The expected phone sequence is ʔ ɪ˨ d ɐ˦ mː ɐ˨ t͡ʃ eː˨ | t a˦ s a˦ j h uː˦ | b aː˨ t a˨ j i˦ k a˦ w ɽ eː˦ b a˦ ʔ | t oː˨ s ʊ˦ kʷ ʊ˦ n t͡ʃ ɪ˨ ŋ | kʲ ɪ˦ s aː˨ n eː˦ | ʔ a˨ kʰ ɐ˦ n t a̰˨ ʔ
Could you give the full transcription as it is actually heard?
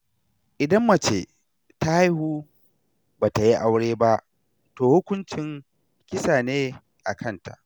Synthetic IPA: ʔ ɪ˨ d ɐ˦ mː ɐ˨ t͡ʃ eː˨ | t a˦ h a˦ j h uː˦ | b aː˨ t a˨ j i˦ ʔ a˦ w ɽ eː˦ b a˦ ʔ | t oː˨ h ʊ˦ kʷ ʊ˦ n t͡ʃ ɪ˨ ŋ | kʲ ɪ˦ s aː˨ n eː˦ | ʔ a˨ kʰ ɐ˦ n t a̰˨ ʔ